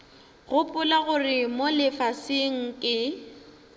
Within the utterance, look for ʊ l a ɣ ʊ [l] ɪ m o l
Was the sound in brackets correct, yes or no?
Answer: no